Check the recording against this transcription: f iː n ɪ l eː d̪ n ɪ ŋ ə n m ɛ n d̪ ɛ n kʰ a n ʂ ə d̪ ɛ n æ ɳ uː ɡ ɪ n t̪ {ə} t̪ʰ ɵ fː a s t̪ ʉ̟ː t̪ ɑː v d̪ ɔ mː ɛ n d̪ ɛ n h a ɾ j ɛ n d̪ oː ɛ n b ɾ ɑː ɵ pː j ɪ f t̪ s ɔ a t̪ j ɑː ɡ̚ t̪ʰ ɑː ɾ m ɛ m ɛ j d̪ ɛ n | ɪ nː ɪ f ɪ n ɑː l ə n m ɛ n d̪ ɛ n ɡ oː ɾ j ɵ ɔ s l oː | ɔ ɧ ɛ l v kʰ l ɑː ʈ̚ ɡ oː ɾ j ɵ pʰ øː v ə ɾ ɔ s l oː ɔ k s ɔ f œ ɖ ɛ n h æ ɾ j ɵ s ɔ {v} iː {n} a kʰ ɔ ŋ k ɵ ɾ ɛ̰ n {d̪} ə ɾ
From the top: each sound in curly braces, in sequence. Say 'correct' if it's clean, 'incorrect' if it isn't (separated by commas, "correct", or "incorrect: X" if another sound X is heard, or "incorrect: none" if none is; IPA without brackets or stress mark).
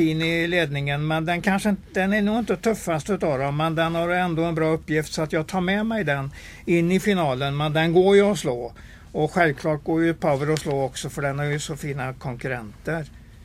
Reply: correct, incorrect: f, correct, incorrect: t̪